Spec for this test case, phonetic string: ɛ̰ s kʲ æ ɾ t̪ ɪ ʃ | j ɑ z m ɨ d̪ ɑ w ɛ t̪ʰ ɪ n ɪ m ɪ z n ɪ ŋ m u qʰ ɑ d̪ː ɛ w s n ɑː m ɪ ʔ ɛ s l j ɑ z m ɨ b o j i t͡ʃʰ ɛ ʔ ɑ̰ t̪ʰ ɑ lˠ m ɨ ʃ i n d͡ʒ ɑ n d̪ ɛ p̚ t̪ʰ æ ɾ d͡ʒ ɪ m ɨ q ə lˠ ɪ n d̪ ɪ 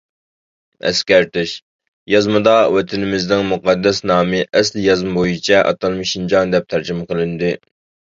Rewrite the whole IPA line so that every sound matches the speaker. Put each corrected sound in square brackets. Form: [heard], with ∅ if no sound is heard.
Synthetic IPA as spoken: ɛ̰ s kʲ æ ɾ t̪ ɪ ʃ | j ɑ z m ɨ d̪ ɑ w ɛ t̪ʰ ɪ n ɪ m ɪ z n ɪ ŋ m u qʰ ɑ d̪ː ɛ [∅] s n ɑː m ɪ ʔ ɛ s l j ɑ z m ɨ b o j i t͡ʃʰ ɛ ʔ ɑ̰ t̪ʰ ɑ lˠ m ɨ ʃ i n d͡ʒ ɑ n d̪ ɛ p̚ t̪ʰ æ ɾ d͡ʒ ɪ m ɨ q ə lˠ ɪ n d̪ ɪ